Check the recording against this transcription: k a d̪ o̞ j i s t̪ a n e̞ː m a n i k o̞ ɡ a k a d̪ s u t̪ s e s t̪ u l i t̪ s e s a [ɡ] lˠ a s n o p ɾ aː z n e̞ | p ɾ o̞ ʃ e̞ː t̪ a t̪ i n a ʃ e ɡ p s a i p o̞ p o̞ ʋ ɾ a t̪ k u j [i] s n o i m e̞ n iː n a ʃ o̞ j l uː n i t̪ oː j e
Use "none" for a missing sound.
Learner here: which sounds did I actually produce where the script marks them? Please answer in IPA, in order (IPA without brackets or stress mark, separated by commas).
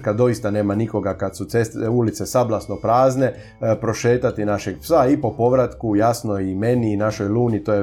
b, a